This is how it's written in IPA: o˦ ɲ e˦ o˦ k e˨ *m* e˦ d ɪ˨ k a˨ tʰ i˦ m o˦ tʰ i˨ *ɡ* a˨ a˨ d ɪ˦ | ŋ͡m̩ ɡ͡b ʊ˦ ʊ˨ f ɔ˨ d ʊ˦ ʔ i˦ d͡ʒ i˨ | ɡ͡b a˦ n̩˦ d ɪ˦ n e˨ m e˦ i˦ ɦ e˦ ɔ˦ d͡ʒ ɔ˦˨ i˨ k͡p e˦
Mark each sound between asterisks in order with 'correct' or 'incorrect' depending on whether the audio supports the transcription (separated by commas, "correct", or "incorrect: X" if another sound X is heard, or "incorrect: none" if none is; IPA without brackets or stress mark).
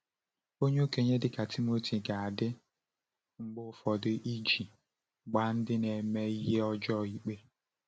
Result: incorrect: ɲ, correct